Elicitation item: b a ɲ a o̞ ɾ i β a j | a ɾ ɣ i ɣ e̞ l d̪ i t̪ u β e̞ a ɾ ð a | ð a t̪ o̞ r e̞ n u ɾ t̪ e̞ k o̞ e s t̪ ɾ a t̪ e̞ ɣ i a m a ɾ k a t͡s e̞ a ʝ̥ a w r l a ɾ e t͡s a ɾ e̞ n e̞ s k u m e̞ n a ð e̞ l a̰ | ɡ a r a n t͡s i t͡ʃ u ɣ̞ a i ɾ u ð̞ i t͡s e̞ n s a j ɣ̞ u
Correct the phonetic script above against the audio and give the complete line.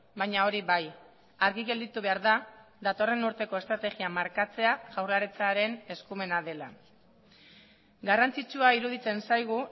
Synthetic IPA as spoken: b a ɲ a o̞ ɾ i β a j | a ɾ ɣ i ɣ e̞ l d̪ i t̪ u β e̞ a ɾ ð a | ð a t̪ o̞ r e̞ n u ɾ t̪ e̞ k o̞ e s t̪ ɾ a t̪ e̞ ɣ i a m a ɾ k a t͡s e̞ a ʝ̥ a w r l a ɾ e t͡s a ɾ e̞ n e̞ s k u m e̞ n a ð e̞ l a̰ | ɡ a r a n t͡s i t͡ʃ u a i ɾ u ð̞ i t͡s e̞ n s a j ɣ̞ u